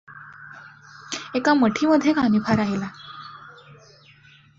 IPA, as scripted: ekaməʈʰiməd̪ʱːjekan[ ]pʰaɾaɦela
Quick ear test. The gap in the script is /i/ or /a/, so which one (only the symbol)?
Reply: i